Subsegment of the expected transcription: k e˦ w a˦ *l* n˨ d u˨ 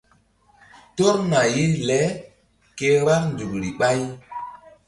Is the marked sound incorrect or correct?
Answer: incorrect